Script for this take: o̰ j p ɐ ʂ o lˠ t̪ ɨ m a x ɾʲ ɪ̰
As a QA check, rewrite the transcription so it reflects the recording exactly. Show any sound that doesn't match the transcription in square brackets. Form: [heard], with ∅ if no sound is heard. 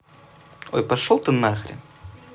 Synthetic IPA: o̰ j p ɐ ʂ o lˠ t̪ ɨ [n] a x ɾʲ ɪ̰